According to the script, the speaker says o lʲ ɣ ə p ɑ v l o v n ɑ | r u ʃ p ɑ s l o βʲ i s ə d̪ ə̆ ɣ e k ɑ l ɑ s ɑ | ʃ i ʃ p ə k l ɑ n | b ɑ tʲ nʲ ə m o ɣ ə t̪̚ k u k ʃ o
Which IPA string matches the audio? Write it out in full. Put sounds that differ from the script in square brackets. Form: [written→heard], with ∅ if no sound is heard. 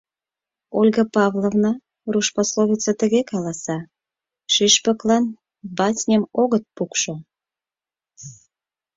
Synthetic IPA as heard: o lʲ ɣ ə p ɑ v l o v n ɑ | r u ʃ p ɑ s l o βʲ i [s→t͡s] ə [d̪→t̪] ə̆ ɣ e k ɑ l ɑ s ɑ | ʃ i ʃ p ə k l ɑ n | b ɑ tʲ nʲ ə m o ɣ ə t̪̚ [k→p] u k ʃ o